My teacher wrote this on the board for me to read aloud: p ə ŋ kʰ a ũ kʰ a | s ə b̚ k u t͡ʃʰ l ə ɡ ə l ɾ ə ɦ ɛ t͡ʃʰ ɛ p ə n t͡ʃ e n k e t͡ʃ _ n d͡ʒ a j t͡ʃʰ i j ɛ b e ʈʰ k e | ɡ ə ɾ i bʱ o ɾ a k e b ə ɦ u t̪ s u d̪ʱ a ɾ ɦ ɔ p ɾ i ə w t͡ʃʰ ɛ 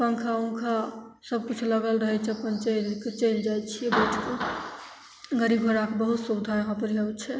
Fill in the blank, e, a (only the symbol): e